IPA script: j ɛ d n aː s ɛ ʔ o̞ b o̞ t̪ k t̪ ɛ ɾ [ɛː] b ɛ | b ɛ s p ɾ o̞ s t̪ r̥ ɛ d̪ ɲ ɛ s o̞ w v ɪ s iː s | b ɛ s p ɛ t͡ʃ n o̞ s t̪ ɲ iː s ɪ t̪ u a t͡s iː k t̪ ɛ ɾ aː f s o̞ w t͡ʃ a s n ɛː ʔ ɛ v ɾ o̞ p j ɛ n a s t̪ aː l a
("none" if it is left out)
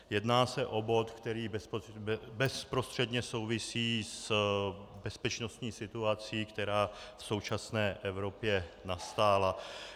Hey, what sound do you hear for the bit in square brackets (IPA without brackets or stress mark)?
iː